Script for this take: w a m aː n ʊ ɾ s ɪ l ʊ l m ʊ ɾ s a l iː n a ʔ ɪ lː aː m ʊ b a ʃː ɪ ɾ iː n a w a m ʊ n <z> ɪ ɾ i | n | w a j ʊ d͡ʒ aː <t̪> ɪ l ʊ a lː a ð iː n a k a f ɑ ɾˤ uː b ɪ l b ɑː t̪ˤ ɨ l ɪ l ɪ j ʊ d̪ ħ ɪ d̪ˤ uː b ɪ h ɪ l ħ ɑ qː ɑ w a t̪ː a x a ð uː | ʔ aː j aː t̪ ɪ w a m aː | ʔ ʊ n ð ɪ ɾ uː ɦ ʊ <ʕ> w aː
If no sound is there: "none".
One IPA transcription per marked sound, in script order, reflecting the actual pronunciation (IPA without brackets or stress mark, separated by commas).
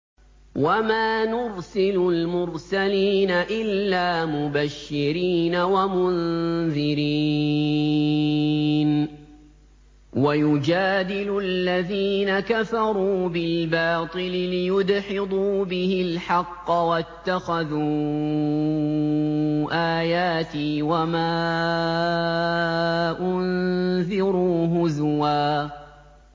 ð, d̪, z